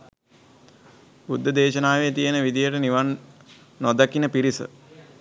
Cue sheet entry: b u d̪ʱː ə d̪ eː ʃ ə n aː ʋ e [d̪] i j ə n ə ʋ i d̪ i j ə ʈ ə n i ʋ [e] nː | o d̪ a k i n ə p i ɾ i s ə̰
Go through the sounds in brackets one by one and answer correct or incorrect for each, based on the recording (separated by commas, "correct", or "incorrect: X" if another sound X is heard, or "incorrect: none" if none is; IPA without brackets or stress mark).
incorrect: t̪, incorrect: a